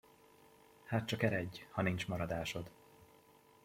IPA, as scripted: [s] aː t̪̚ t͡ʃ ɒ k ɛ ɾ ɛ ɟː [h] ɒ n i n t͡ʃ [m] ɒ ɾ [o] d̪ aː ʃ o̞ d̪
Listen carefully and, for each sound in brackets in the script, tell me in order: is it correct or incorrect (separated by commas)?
incorrect, correct, correct, incorrect